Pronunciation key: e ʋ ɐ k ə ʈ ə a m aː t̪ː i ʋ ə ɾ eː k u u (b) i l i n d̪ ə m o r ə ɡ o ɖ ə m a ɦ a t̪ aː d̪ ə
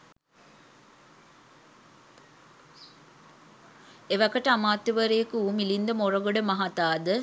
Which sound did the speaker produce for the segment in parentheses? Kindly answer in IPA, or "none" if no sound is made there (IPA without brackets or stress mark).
m